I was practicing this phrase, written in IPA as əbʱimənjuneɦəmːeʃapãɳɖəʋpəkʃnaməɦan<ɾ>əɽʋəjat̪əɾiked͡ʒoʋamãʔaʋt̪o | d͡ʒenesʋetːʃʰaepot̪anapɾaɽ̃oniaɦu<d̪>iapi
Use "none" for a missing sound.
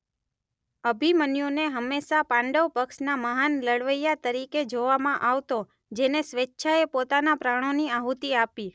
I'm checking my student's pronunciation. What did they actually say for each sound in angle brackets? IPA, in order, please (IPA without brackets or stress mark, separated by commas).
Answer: l, t̪